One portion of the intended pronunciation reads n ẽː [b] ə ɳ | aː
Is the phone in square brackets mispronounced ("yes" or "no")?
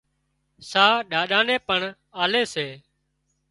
yes